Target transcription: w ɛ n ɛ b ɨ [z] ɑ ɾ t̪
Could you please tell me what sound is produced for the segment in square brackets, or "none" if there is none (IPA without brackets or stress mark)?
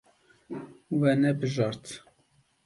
ʒ